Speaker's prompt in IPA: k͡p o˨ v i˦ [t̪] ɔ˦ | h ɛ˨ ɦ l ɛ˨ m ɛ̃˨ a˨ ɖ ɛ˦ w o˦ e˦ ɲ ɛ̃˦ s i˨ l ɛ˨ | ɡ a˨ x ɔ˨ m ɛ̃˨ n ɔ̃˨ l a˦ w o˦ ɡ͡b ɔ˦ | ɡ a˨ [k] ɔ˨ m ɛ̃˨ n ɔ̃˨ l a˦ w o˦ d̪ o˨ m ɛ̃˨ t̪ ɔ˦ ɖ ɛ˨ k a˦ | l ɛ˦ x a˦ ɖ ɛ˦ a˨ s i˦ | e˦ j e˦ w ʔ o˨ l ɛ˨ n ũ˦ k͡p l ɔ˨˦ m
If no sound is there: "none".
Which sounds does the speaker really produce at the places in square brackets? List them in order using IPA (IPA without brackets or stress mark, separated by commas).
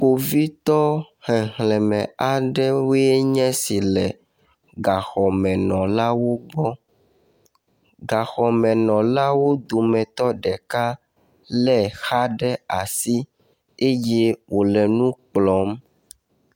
t̪, x